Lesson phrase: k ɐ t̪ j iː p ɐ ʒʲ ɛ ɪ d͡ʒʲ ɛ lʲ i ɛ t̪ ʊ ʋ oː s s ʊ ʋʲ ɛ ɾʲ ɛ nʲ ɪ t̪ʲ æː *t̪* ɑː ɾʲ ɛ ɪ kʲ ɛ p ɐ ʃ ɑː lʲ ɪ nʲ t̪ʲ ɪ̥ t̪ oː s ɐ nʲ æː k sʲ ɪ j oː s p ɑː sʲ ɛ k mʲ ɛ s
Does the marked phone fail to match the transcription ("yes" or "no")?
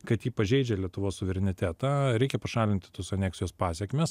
no